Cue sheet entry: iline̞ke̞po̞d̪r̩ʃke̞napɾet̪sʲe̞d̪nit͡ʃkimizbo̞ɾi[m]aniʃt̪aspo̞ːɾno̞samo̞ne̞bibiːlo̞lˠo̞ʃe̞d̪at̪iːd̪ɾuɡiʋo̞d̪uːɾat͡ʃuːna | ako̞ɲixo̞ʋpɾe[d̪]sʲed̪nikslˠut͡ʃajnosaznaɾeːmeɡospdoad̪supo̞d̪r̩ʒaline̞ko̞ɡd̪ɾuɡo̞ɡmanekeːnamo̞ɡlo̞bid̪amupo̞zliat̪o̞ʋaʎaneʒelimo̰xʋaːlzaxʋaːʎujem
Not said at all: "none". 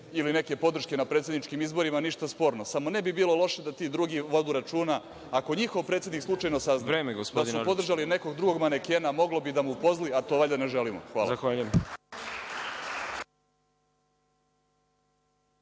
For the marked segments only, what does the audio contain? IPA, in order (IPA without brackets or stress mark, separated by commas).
m, t̪